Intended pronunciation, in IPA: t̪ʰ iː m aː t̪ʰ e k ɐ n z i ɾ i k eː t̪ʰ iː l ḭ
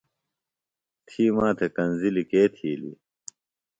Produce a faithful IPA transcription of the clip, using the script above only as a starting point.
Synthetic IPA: t̪ʰ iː m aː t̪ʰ e k ɐ n z i l i k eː t̪ʰ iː l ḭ